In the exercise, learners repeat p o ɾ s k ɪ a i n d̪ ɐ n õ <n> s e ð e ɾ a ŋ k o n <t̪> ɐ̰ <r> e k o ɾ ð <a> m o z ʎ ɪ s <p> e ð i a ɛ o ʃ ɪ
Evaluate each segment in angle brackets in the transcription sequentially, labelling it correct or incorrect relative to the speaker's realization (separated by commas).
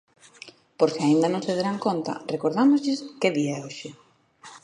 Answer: incorrect, correct, correct, correct, incorrect